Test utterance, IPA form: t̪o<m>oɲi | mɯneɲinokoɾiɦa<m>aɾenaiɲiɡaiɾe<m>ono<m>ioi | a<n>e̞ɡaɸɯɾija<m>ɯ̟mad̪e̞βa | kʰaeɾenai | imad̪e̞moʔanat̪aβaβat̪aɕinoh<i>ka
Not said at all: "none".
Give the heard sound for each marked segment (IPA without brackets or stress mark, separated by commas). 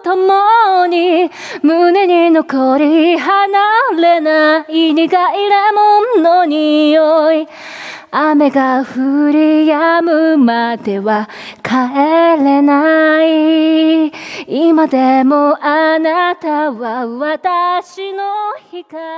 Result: m, n, m, ɲ, m, m, i